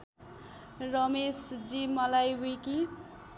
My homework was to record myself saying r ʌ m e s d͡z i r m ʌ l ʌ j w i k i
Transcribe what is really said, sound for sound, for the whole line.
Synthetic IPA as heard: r ʌ m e s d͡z i m ʌ l a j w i k i

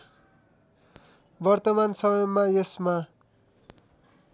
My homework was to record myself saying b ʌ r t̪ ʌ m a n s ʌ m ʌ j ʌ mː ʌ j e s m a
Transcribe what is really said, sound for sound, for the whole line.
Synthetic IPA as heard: b ʌ r t̪ ʌ m a n s ʌ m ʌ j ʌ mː a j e s m a

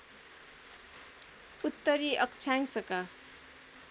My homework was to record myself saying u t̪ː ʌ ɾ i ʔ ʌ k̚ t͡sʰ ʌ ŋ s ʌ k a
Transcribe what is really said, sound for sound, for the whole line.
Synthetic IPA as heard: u t̪ː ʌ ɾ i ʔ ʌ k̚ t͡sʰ a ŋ s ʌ k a

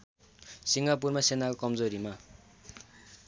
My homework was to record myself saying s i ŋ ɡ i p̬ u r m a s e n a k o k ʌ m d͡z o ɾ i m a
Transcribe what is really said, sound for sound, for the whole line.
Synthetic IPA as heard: s i ŋ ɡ a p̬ u r m a s e n a k o k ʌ m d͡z o ɾ i m a

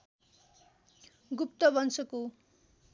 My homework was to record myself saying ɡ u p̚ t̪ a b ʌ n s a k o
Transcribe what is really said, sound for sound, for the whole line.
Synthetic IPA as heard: ɡ u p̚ t̪ ʌ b ʌ n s ʌ k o

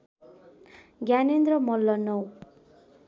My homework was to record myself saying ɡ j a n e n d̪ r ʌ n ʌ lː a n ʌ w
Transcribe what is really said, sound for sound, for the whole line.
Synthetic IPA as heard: ɡ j a n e n d̪ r ʌ m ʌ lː ʌ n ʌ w

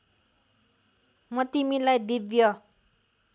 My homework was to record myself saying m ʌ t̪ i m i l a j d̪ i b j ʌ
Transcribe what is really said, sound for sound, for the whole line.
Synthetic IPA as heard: m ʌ t̪ i m i l a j d̪ i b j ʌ

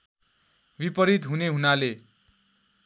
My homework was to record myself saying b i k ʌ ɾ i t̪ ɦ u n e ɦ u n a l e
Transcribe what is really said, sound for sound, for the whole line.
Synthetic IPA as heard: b i p ʌ ɾ i t̪ ɦ u n e ɦ u n a l e

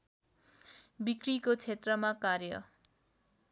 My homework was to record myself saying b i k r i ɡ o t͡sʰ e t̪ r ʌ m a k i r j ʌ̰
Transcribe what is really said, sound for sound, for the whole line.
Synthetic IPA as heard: b i k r i k o t͡sʰ e t̪ r ʌ m a k a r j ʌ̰

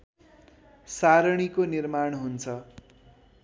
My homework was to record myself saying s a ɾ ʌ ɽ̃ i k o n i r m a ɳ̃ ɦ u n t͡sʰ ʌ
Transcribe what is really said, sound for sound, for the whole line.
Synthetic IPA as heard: s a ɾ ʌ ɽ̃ i k o n i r m a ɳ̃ ɦ u n t͡sʰ ʌ

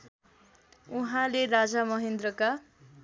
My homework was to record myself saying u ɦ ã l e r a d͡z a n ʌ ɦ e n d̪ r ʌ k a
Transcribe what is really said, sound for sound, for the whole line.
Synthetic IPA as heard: u ɦ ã l e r a d͡z a m ʌ ɦ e n d̪ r ʌ k a

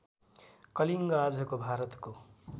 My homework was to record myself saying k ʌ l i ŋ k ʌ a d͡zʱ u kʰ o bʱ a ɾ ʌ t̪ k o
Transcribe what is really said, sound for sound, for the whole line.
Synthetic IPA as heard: k ʌ l i ŋ ɡ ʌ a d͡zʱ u k o bʱ a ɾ ʌ t̪ k o

